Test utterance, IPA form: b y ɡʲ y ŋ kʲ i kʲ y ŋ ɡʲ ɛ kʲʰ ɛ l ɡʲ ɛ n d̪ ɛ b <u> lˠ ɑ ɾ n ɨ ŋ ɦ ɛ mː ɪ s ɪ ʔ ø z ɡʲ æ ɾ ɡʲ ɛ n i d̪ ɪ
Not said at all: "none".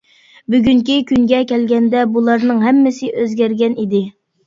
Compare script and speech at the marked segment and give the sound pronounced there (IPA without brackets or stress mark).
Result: u